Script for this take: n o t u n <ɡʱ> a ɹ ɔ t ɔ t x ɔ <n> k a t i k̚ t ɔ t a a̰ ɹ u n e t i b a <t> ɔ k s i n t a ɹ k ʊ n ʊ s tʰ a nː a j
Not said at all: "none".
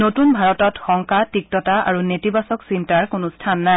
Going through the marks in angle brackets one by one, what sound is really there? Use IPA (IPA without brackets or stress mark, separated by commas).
bʱ, ŋ, s